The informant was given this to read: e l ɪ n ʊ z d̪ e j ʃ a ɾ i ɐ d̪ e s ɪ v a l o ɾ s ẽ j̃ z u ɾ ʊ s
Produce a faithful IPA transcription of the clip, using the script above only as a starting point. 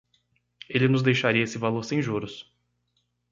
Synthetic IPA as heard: e l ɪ n ʊ z d̪ e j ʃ a ɾ i ɐ e s ɪ v a l o ɾ s ẽ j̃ ʒ u ɾ ʊ s